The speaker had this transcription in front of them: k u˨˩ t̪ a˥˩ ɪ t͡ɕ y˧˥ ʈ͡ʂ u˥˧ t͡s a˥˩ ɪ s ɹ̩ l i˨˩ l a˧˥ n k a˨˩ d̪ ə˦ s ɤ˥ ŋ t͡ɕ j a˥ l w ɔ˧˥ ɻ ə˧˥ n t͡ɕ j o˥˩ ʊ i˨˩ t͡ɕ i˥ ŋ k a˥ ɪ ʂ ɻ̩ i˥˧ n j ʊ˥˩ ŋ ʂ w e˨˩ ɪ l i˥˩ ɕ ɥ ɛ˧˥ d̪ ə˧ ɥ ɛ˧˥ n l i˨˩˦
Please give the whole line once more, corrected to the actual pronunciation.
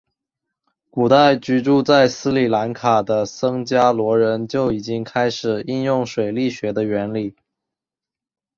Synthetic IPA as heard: k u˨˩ t̪ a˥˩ ɪ t͡ɕ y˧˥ ʈ͡ʂ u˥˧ t͡s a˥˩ ɪ s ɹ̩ l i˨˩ l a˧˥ n kʰ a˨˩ d̪ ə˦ s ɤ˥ ŋ t͡ɕ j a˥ l w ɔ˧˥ ɻ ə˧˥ n t͡ɕ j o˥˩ ʊ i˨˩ t͡ɕ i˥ ŋ kʰ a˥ ɪ ʂ ɻ̩ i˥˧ n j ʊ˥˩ ŋ ʂ w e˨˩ ɪ l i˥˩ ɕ ɥ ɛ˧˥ d̪ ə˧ ɥ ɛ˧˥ n l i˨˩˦

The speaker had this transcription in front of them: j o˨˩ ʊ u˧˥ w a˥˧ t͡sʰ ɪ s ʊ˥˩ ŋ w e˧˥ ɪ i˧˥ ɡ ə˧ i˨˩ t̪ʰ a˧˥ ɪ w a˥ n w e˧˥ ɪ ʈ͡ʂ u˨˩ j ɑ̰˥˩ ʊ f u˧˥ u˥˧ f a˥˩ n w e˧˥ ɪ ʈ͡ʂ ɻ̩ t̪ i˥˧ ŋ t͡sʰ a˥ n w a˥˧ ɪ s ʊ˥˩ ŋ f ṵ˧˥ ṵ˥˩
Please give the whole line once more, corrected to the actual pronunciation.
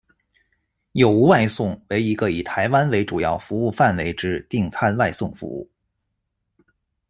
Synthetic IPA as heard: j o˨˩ ʊ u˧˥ w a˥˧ ɪ s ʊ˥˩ ŋ w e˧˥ ɪ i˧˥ ɡ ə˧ i˨˩ t̪ʰ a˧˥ ɪ w a˥ n w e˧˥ ɪ ʈ͡ʂ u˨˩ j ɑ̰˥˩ ʊ f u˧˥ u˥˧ f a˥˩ n w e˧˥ ɪ ʈ͡ʂ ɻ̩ t̪ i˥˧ ŋ t͡sʰ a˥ n w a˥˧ ɪ s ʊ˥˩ ŋ f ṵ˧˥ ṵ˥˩

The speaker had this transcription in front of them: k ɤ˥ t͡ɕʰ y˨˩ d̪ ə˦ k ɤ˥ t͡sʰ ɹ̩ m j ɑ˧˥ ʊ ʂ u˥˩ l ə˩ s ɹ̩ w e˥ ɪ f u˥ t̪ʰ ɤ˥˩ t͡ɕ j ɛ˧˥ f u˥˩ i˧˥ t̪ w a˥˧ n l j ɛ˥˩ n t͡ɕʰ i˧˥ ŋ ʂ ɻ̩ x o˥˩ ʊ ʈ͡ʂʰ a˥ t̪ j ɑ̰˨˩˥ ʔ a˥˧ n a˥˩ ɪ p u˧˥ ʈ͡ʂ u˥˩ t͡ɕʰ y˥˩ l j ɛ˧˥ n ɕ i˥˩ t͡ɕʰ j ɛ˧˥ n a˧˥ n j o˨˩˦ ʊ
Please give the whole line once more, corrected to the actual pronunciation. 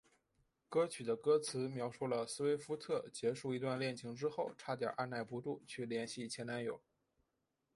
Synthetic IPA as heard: k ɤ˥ t͡ɕʰ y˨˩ d̪ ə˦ k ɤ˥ t͡sʰ ɹ̩ m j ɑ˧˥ ʊ ʂ u˥˩ l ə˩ s ɹ̩ w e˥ ɪ f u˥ t̪ʰ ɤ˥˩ t͡ɕ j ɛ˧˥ ʂ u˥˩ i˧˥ t̪ w a˥˧ n l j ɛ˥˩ n t͡ɕʰ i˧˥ ŋ ʈ͡ʂ ɻ̩ x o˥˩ ʊ ʈ͡ʂʰ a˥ t̪ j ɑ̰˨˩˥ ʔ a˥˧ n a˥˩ ɪ p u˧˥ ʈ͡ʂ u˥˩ t͡ɕʰ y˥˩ l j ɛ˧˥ n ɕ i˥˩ t͡ɕʰ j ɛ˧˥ n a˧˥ n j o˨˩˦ ʊ

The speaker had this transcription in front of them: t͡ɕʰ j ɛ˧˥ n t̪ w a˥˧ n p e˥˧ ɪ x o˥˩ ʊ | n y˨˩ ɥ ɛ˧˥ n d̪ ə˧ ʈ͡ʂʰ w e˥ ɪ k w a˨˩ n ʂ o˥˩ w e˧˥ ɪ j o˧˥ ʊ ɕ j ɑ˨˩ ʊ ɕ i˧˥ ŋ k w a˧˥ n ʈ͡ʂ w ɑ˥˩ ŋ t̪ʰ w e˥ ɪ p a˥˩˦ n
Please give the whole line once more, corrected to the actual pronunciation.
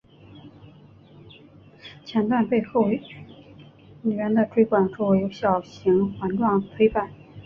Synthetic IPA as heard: t͡ɕʰ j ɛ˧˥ n t̪ w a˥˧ n p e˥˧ ɪ x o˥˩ ʊ | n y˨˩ ɥ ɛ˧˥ n d̪ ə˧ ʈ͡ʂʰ w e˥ ɪ k w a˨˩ n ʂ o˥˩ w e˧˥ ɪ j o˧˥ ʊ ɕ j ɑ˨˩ ʊ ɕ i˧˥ ŋ x w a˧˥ n ʈ͡ʂ w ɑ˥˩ ŋ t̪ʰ w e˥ ɪ p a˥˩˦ n

